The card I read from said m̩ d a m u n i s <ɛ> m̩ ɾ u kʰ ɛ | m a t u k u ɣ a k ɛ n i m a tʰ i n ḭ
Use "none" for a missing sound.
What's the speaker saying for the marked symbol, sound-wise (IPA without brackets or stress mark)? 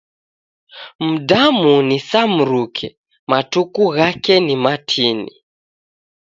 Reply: a